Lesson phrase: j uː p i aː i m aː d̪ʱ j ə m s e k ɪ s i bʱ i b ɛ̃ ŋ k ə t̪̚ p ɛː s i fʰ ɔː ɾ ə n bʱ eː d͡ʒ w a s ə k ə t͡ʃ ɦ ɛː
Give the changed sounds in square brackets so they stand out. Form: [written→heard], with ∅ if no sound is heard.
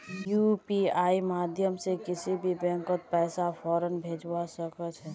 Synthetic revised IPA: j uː p i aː i m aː d̪ʱ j ə m s e k ɪ s i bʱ i b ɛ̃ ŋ k ə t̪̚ p ɛː s [i→a] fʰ ɔː ɾ ə n bʱ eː d͡ʒ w a s ə k ə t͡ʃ ɦ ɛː